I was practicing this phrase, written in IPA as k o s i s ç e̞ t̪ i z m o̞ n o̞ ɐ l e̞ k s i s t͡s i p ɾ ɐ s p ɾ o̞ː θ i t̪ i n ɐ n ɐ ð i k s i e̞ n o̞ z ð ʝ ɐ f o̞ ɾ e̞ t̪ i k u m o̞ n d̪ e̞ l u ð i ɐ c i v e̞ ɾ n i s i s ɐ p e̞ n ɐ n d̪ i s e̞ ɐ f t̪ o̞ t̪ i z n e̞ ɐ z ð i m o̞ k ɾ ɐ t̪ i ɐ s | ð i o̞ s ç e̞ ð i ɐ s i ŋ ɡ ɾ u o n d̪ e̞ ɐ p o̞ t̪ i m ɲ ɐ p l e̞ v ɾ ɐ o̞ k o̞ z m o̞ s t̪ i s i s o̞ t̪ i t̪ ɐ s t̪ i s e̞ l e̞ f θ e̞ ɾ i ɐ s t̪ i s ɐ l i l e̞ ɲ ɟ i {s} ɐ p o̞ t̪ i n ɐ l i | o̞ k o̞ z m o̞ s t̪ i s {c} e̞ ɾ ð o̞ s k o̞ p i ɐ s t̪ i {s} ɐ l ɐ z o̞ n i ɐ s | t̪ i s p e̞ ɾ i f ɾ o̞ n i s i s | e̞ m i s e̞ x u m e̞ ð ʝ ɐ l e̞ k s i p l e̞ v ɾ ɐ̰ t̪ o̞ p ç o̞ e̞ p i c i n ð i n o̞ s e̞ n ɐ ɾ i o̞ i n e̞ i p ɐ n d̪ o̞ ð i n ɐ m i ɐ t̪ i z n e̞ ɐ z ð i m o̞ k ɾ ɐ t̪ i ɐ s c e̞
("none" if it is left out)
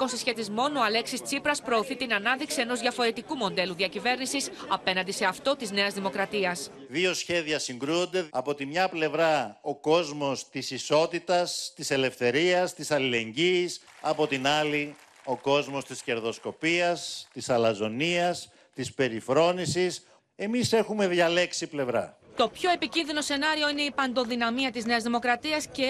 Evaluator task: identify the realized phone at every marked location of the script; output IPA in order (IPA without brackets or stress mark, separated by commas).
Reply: s, c, s